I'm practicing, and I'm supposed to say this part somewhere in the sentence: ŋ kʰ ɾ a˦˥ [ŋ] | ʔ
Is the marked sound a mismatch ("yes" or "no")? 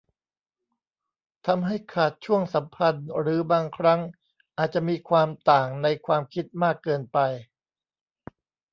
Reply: no